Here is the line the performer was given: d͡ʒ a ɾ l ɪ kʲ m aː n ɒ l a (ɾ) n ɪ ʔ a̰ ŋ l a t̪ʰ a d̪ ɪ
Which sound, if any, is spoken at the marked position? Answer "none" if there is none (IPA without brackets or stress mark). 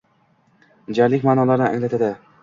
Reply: ɾ